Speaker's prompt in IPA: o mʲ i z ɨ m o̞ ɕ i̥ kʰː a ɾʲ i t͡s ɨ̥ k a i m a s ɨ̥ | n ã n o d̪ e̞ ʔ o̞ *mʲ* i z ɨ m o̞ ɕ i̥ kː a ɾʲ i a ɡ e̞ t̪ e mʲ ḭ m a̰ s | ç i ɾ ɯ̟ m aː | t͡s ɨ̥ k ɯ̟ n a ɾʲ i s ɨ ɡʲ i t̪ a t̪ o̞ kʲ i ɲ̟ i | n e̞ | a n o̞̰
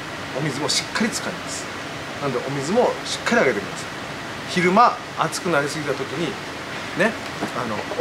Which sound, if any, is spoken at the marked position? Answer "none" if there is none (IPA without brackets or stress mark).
mʲ